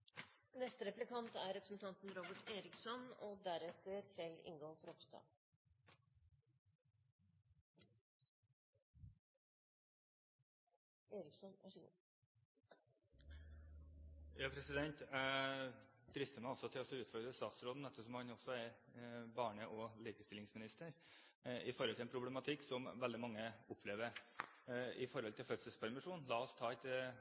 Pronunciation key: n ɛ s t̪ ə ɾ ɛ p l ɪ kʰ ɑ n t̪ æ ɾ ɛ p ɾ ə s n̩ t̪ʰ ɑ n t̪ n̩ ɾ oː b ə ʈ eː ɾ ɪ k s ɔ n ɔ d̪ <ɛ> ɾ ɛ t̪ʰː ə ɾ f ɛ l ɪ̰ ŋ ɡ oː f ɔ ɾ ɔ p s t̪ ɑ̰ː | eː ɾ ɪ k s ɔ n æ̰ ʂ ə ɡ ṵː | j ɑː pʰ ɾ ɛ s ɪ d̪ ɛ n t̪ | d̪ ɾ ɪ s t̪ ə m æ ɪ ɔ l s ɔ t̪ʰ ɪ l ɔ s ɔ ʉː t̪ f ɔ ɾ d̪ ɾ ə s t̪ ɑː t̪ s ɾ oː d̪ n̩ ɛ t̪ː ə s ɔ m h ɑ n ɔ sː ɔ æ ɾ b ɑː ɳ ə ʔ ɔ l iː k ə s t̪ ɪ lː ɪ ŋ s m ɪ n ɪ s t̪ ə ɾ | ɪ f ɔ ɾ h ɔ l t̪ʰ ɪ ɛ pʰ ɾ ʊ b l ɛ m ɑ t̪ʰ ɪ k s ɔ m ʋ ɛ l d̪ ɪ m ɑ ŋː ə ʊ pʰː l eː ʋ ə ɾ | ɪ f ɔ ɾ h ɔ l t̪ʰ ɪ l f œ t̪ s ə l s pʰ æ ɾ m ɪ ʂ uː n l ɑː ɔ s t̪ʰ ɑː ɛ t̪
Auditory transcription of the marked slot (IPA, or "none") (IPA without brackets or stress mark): æ